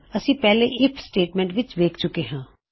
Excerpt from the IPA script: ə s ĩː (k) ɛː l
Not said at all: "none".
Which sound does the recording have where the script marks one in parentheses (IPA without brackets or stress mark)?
p